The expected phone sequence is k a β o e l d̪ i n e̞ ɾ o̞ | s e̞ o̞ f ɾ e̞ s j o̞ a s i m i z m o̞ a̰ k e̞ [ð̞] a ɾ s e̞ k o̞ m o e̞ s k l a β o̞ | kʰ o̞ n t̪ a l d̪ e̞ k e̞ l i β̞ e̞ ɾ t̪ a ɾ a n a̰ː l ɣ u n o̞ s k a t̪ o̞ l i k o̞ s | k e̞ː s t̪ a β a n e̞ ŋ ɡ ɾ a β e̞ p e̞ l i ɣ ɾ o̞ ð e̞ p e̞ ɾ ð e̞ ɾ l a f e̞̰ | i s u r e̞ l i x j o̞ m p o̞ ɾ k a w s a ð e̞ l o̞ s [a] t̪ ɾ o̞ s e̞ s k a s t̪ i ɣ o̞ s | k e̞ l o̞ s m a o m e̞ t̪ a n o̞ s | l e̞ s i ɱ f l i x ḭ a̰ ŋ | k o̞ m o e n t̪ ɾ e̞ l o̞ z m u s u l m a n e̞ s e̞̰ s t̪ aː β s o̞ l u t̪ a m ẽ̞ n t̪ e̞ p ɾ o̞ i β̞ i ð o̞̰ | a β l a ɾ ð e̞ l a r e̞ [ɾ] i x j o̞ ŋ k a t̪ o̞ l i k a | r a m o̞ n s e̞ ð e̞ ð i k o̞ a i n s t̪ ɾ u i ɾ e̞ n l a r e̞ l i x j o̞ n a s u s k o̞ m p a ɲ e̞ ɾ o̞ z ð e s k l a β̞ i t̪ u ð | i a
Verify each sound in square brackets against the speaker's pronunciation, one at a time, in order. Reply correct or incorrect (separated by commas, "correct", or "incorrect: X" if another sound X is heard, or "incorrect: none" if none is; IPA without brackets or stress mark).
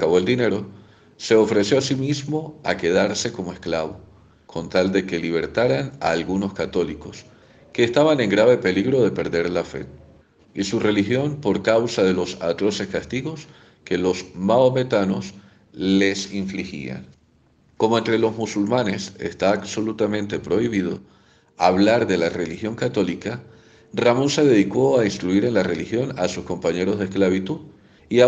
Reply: correct, correct, incorrect: l